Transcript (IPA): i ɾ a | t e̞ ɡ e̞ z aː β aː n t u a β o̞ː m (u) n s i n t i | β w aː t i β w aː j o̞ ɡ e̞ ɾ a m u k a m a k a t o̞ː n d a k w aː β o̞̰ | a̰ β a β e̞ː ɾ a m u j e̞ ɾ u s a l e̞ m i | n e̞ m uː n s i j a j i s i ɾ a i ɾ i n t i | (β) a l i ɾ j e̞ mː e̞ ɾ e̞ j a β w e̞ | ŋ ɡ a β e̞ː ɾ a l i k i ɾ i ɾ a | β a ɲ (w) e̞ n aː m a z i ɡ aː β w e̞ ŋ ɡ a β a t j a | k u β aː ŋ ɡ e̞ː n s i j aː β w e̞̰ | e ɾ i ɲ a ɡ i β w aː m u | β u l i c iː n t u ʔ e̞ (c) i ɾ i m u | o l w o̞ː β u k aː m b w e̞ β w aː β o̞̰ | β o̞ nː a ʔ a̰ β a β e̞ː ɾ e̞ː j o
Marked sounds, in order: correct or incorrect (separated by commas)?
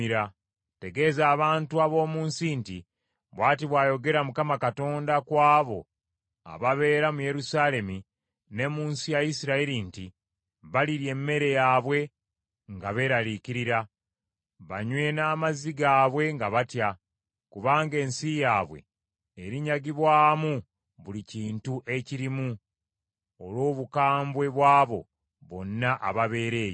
incorrect, correct, correct, correct